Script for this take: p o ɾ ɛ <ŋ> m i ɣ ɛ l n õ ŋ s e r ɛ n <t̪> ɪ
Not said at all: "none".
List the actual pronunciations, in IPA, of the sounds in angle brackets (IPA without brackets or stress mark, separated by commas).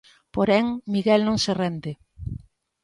ŋ, d̪